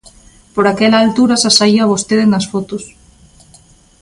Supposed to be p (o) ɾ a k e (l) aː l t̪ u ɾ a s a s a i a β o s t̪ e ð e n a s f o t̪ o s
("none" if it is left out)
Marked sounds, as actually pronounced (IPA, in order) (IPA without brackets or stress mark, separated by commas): o, l